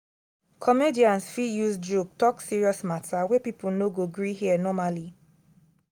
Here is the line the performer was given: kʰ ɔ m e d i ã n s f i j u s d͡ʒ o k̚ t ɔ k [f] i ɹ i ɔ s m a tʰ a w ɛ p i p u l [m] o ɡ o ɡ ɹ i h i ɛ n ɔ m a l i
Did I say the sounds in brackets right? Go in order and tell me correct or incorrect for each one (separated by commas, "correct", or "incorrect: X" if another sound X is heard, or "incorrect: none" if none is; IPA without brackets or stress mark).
incorrect: s, incorrect: n